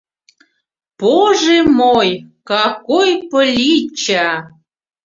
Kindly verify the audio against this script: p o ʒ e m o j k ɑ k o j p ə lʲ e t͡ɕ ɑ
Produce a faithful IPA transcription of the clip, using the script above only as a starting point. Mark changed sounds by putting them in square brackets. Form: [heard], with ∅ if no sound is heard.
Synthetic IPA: p o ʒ e m o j k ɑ k o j p ə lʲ [i] t͡ɕ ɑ